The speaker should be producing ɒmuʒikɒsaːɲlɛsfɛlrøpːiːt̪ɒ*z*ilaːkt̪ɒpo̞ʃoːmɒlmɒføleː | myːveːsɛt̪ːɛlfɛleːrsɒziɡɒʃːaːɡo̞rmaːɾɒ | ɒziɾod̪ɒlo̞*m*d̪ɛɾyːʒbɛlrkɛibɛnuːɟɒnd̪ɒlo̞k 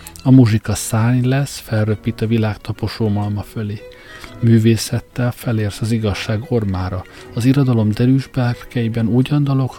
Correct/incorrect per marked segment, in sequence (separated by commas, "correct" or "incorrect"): incorrect, correct